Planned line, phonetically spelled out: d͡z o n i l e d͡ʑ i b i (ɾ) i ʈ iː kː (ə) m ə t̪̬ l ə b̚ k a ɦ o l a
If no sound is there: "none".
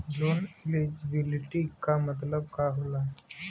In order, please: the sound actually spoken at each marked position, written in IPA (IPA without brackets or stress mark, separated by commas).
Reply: l, a